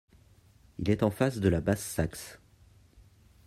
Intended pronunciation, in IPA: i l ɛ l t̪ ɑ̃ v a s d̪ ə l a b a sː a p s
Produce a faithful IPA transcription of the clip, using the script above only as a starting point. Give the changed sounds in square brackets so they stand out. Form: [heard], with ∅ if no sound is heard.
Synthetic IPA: i l ɛ [∅] t̪ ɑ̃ [f] a s d̪ ə l a b a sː a [k] s